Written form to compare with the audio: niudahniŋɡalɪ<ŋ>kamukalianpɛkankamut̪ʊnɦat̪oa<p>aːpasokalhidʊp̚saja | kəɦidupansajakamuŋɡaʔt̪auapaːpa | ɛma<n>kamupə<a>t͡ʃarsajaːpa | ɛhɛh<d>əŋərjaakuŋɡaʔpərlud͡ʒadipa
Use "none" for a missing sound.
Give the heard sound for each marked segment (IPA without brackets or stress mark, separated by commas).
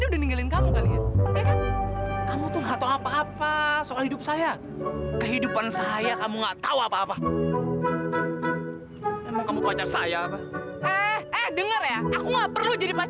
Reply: n, p, ŋ, a, d